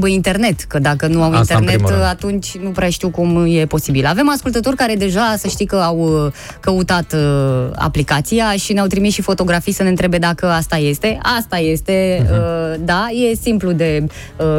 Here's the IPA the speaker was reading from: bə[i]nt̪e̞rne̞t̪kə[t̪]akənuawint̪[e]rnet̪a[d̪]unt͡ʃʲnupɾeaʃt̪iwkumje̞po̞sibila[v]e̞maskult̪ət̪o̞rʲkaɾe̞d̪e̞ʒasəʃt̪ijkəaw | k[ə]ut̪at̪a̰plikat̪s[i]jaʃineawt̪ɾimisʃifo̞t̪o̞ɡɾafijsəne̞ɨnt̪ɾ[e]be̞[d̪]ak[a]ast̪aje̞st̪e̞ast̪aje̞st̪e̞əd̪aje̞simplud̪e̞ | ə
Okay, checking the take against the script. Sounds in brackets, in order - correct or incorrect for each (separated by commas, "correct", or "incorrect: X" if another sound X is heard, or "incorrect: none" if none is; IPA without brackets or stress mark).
correct, incorrect: d̪, correct, incorrect: t̪, correct, correct, correct, correct, correct, incorrect: ə